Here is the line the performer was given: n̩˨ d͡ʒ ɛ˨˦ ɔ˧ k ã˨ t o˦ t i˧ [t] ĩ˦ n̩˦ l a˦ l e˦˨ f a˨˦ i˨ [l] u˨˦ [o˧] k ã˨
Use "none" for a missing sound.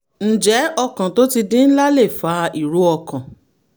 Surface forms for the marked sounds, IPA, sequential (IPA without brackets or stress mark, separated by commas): d, ɾ, ɔ˧